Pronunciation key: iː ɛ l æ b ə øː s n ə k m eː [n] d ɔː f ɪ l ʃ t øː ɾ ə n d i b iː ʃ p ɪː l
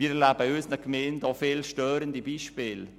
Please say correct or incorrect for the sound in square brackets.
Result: correct